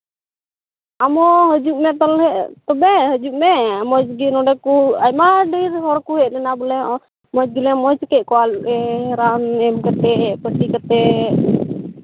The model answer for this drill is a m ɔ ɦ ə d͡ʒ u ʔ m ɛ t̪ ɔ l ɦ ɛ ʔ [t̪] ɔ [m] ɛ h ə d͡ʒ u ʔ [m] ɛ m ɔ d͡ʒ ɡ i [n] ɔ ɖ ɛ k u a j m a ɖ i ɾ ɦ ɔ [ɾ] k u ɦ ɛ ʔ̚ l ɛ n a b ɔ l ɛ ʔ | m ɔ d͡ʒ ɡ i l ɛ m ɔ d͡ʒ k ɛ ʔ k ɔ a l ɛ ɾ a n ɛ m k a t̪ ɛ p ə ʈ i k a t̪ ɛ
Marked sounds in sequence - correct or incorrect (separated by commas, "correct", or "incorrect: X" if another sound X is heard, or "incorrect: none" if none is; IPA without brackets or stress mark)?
correct, incorrect: b, correct, correct, correct